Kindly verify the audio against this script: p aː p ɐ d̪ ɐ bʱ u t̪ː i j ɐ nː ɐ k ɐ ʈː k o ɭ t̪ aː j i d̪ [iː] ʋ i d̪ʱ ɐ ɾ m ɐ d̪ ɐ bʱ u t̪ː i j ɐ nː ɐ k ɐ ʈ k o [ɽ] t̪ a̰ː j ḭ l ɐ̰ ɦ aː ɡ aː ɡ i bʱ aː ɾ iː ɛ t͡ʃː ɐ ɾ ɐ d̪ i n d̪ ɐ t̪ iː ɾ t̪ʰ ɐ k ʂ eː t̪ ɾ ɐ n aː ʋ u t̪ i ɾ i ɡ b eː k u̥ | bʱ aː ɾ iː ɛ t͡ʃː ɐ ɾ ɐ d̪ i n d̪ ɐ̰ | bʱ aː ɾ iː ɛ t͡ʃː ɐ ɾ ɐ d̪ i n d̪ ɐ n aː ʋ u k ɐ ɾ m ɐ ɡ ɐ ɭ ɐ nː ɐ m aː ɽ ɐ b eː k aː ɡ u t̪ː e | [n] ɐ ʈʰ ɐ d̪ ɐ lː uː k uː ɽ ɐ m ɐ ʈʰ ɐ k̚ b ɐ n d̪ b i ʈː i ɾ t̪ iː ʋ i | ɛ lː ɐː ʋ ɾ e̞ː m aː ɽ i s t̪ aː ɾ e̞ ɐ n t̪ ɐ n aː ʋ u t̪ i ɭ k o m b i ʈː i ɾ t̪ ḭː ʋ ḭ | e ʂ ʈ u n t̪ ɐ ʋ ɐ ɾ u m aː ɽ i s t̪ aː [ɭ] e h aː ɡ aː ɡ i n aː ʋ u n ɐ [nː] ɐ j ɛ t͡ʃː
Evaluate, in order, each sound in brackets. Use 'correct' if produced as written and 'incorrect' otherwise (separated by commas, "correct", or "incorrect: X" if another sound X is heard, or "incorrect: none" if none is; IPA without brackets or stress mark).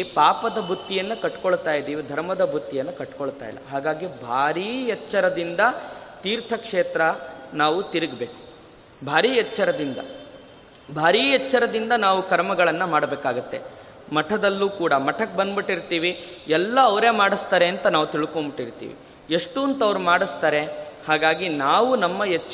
correct, incorrect: ɭ, incorrect: m, incorrect: ɾ, incorrect: mː